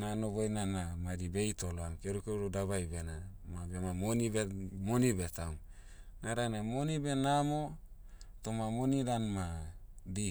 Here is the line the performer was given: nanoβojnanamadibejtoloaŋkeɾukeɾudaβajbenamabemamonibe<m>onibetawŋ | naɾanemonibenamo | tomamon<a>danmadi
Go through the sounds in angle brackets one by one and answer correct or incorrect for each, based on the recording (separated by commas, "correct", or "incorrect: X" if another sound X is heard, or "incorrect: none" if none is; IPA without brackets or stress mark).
correct, incorrect: i